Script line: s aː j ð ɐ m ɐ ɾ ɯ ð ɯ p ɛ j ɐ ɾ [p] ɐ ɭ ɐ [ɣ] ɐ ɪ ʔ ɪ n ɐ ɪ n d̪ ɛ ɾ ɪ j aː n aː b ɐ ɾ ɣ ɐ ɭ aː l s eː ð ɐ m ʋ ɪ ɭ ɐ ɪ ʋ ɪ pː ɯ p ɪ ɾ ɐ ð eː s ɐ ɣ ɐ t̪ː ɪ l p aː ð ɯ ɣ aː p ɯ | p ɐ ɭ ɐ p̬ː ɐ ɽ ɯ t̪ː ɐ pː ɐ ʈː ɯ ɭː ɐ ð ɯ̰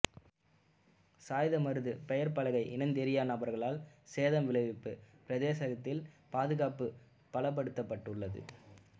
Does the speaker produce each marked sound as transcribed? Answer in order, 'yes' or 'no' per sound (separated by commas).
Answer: yes, yes